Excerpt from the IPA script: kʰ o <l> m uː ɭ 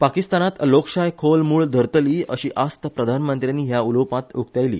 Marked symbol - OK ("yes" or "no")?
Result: yes